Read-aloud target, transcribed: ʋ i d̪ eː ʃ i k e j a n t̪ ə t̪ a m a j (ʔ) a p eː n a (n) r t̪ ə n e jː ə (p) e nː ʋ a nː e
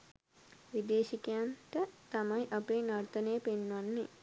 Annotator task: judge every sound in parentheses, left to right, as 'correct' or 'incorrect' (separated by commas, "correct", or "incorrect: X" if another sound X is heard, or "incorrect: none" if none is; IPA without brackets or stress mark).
correct, incorrect: none, correct